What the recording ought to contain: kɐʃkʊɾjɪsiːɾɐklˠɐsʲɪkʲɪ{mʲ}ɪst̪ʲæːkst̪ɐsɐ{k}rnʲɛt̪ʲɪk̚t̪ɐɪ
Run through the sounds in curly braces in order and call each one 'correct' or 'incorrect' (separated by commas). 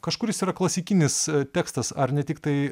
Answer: incorrect, incorrect